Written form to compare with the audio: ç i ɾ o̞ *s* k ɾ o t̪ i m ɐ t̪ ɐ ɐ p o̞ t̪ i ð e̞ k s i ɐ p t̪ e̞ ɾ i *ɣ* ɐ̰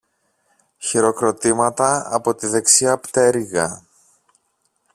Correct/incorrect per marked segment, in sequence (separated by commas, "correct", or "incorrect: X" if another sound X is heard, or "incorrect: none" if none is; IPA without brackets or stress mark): incorrect: none, correct